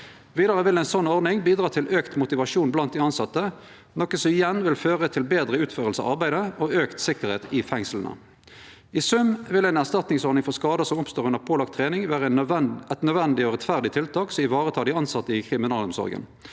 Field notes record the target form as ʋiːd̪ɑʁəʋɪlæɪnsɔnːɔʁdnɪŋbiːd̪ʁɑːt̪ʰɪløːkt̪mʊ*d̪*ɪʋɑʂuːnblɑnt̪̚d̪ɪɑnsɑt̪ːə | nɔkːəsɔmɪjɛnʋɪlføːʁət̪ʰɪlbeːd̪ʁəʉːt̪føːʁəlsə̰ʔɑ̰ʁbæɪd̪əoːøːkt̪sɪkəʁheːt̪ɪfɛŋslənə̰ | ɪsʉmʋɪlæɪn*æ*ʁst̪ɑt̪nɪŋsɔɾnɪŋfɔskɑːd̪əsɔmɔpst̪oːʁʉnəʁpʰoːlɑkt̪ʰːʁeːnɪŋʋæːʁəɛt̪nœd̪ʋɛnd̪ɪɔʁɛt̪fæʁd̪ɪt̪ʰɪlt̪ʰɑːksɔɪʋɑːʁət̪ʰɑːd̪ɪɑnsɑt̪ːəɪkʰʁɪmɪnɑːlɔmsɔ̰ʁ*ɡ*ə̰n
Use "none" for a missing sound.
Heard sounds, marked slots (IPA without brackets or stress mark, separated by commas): t̪, æ, ɡ